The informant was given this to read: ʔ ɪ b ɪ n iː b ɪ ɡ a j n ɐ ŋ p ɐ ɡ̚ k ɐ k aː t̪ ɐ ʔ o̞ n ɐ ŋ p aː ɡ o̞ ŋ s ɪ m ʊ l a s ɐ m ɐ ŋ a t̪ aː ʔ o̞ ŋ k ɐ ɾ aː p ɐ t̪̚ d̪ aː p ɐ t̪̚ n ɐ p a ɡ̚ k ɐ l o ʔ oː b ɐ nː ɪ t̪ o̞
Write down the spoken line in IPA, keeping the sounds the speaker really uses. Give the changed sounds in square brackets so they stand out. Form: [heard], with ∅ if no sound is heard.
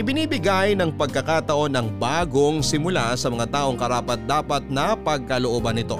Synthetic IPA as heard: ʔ ɪ b ɪ n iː b ɪ ɡ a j n ɐ ŋ p ɐ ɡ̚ k ɐ k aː t̪ ɐ ʔ o̞ n ɐ ŋ [b] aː ɡ o̞ ŋ s ɪ m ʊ l a s ɐ m ɐ ŋ a t̪ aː ʔ o̞ ŋ k ɐ ɾ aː p ɐ t̪̚ d̪ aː p ɐ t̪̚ n ɐ p [ɐ] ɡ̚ k ɐ l o ʔ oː b ɐ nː ɪ t̪ o̞